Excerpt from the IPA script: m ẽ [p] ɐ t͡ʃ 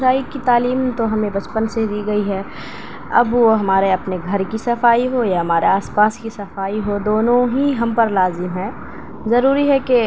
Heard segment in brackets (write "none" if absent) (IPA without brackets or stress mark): b